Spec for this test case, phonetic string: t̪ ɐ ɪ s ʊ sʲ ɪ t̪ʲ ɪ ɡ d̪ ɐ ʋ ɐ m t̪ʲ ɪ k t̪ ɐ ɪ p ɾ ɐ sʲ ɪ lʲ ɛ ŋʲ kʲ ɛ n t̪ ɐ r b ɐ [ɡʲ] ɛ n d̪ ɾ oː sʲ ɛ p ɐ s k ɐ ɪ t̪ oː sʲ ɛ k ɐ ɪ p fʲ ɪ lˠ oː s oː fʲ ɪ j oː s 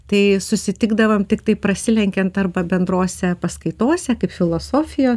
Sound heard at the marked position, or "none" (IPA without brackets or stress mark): bʲ